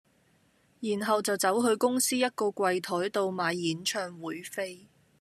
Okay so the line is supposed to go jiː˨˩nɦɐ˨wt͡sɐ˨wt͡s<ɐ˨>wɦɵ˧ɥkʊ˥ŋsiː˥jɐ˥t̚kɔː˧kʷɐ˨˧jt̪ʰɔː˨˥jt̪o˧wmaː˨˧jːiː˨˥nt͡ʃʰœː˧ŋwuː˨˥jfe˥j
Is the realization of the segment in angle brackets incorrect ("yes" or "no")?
yes